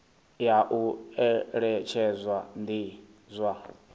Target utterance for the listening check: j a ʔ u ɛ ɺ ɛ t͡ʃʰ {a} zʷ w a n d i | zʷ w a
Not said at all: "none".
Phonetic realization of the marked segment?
ɛ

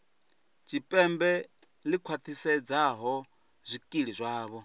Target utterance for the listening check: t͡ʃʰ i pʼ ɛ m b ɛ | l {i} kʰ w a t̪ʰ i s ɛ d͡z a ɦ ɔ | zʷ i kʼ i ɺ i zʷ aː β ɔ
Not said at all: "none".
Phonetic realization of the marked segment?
i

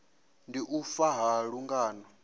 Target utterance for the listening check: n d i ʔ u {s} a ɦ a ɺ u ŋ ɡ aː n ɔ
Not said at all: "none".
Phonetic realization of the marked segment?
f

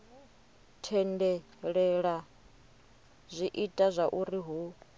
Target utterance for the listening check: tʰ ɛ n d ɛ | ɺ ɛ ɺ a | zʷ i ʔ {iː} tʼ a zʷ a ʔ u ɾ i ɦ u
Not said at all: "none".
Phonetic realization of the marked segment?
i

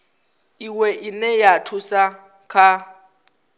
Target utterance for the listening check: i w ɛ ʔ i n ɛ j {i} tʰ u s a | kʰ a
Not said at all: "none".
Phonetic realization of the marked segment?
a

